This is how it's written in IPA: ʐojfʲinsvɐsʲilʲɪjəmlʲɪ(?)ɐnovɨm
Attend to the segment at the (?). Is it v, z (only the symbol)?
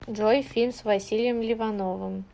v